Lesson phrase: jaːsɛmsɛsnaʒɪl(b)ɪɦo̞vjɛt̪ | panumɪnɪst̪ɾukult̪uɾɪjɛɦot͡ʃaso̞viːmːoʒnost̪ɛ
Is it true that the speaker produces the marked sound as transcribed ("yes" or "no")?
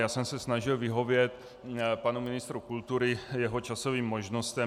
no